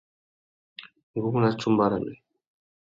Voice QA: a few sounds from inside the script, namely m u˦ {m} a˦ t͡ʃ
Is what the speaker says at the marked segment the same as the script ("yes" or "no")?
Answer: no